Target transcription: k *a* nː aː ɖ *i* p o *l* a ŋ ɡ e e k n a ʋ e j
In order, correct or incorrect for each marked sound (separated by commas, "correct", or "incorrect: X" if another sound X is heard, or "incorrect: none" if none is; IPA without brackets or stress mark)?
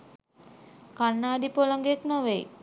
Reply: correct, correct, correct